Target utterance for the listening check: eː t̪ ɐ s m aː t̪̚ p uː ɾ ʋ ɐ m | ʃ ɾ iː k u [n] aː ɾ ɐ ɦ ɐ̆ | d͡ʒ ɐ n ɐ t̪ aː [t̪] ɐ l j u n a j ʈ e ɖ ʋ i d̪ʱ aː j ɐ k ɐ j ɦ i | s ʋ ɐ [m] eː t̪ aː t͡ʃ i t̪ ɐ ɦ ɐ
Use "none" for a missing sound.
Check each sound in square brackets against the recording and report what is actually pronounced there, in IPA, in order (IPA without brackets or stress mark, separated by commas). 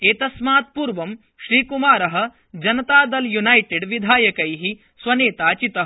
m, d̪, n